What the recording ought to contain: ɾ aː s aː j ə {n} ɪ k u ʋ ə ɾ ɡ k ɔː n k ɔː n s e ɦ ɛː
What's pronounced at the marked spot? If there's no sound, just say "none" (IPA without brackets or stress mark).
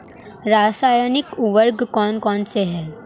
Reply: n